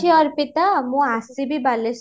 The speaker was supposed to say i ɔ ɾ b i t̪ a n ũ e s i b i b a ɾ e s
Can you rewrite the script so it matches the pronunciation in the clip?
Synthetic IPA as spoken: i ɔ ɾ p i t̪ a m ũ a s i b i b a l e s